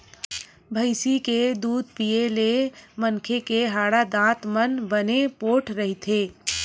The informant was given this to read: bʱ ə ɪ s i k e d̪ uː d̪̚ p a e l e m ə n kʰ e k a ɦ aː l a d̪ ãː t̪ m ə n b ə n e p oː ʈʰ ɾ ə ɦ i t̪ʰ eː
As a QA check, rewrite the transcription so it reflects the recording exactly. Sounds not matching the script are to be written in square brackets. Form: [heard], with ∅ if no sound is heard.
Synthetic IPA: bʱ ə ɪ s i k e d̪ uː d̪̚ p [i] e l e m ə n kʰ e k [e] ɦ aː [ɽ] a d̪ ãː t̪ m ə n b ə n e p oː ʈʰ ɾ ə ɦ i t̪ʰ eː